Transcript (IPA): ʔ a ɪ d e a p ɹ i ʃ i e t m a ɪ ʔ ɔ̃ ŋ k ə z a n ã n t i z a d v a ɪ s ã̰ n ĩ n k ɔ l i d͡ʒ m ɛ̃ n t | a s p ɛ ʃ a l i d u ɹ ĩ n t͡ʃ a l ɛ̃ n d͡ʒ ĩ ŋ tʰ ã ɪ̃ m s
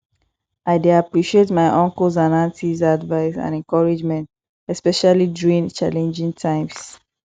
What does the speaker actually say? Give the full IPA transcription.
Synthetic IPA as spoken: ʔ a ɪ d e a p ɹ i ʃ i e t m a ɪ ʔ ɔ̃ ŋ k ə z a n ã n t i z a d v a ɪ s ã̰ n ɛ̃ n k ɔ ɹ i d͡ʒ m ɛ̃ n t | ɛ s p ɛ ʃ a l i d u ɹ ĩ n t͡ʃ a l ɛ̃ n d͡ʒ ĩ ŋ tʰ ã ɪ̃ m s